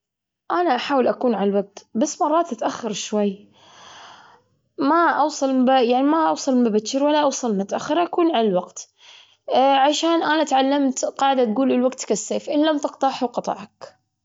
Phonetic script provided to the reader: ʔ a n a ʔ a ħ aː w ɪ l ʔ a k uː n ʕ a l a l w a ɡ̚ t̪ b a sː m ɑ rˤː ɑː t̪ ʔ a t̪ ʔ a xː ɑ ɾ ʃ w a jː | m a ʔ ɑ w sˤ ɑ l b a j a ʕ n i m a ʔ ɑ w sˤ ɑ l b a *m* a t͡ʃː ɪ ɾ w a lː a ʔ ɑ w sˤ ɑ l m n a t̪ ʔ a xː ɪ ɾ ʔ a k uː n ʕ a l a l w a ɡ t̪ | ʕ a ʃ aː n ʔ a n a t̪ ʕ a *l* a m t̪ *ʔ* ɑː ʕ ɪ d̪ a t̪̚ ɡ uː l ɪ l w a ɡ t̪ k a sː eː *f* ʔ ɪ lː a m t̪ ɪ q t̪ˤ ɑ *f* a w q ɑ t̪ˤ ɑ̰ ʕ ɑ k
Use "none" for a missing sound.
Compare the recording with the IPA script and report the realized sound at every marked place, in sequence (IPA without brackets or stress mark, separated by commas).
b, lː, q, f, ħ